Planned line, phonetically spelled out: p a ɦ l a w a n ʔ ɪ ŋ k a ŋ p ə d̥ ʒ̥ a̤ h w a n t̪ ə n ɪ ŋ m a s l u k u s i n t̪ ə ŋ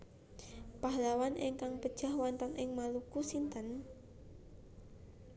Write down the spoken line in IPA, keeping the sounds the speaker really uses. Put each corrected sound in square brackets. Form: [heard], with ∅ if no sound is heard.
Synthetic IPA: p a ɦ l a w a n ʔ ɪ ŋ k a ŋ p ə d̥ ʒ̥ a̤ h w a n t̪ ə n ɪ ŋ m a [∅] l u k u s i n t̪ ə [n]